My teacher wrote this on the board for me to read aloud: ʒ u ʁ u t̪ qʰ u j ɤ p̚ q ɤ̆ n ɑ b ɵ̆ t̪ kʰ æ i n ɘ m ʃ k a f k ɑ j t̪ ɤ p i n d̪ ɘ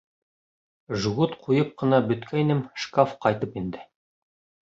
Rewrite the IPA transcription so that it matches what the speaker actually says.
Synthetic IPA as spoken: ʒ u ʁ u t̪ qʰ u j ɤ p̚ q ɤ̆ n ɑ b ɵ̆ t̪ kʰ æ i n ɘ m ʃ k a f q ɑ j t̪ ɤ p i n d̪ ɘ